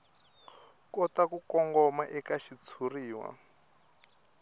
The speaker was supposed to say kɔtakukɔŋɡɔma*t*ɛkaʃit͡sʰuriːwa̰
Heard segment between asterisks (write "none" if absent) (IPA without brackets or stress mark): ʔ